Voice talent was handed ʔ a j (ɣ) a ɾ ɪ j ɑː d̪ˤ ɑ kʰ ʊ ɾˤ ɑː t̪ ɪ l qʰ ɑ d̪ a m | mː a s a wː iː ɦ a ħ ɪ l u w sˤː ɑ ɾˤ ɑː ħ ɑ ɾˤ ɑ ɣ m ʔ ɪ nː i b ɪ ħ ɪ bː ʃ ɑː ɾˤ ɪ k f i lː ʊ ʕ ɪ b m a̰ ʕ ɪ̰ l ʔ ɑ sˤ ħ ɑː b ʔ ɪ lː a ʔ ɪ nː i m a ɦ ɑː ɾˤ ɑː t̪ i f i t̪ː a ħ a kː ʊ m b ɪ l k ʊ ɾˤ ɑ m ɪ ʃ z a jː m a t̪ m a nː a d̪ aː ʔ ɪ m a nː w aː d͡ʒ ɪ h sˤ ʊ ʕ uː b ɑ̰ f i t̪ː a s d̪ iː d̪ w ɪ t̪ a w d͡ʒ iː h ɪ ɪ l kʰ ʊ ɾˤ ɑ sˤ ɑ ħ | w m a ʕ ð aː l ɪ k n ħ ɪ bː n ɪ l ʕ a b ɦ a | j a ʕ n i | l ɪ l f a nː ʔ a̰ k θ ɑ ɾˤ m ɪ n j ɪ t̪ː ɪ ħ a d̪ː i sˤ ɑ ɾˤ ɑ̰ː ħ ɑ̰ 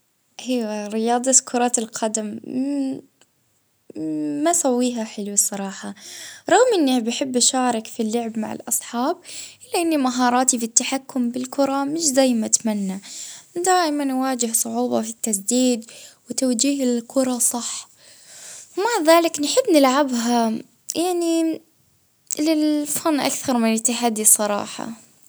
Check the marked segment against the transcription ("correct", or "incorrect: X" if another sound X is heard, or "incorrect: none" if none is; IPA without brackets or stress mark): incorrect: w